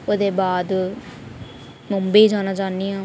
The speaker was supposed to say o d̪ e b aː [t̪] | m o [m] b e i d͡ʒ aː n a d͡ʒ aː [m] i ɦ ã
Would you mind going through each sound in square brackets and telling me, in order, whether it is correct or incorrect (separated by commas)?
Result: incorrect, correct, incorrect